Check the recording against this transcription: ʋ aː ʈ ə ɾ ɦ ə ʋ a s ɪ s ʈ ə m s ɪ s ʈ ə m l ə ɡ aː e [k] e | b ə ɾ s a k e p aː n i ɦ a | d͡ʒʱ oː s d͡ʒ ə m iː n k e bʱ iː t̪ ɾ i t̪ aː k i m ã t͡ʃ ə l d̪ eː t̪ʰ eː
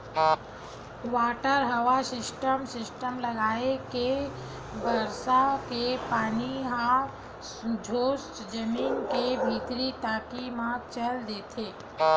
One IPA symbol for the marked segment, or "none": k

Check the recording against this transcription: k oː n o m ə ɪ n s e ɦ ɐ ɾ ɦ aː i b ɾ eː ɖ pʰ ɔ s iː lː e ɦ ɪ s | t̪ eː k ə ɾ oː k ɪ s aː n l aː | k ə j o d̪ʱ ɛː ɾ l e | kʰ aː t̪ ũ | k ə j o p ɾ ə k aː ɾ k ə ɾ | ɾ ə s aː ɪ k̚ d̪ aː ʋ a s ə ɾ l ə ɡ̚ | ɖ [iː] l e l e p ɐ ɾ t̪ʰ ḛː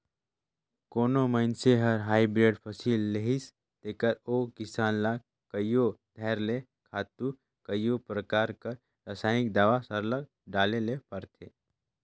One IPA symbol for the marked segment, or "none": aː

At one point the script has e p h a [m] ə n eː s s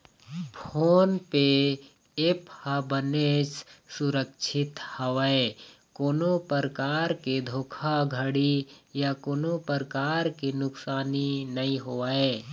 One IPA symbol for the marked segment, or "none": b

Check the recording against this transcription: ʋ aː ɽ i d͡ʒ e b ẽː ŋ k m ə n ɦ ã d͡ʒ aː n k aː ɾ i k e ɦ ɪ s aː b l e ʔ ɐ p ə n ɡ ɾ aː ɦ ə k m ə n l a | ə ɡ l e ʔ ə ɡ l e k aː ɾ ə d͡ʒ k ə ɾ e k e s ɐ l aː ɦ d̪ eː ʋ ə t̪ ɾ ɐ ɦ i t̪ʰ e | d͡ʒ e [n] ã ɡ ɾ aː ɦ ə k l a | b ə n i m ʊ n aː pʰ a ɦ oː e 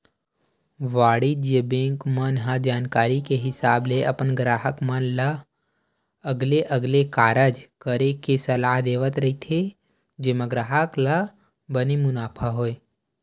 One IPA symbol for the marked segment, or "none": m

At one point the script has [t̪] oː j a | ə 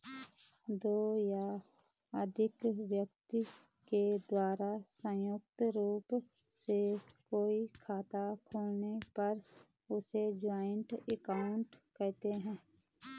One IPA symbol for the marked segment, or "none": d̪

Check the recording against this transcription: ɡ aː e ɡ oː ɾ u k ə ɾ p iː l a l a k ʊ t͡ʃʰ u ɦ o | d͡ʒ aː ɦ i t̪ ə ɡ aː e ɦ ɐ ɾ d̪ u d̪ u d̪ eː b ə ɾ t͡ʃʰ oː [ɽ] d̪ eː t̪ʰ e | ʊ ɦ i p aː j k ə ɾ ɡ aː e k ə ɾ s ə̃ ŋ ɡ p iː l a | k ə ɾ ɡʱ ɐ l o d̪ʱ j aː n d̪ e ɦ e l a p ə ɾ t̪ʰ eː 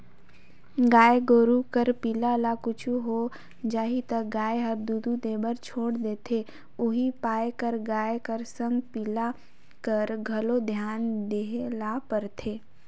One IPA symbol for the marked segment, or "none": ɽ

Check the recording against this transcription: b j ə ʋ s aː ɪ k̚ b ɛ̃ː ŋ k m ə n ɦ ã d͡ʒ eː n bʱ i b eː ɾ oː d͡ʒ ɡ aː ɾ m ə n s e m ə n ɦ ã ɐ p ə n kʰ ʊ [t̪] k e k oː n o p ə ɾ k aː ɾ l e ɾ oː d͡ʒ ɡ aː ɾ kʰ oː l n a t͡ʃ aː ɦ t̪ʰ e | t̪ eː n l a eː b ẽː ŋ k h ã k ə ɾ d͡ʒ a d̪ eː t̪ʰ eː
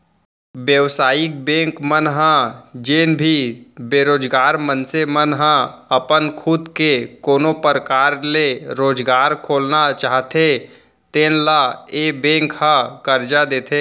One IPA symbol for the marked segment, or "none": d̪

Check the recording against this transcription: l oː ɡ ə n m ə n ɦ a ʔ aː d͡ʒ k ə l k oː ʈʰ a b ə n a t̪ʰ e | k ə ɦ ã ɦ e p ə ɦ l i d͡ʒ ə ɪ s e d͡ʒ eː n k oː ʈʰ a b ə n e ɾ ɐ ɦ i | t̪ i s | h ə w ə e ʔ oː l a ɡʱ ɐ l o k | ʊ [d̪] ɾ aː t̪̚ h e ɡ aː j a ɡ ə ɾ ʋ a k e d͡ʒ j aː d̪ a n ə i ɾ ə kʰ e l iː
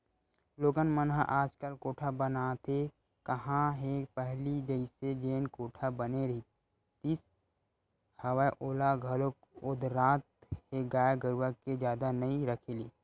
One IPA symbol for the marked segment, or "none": d̪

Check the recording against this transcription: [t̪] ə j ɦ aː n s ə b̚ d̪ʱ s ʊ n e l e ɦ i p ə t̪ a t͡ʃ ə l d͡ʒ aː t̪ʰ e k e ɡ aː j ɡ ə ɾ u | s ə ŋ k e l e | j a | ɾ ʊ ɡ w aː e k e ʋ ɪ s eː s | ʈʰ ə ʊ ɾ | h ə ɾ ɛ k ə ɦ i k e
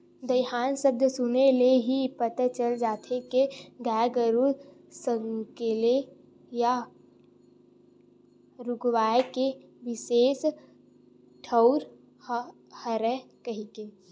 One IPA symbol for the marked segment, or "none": d̪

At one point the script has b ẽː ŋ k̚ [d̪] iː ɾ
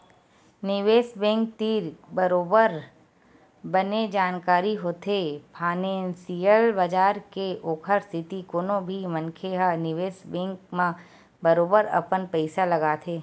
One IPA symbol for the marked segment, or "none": t̪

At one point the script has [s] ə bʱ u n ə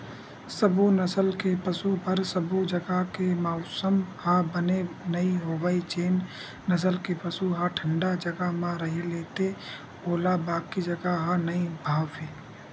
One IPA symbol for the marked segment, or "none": s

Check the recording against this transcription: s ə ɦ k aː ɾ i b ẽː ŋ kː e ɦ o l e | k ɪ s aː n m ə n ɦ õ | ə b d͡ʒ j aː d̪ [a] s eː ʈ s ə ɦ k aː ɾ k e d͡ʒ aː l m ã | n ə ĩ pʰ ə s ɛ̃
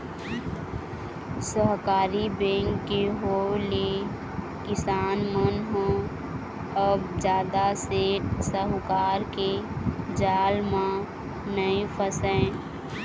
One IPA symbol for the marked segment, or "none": a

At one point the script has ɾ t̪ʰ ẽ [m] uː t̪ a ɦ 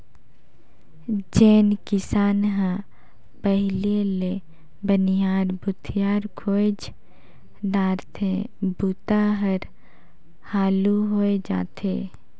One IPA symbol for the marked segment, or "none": b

